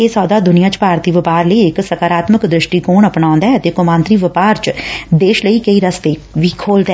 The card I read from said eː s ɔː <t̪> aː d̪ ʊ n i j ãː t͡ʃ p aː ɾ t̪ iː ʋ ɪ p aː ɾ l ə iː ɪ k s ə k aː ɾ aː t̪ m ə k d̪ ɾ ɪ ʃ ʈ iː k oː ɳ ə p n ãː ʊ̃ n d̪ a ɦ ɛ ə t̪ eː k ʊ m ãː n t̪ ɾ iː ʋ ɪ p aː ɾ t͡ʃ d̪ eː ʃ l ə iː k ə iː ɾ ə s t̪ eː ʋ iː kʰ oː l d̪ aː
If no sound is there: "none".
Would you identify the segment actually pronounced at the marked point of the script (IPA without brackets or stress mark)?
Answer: d̪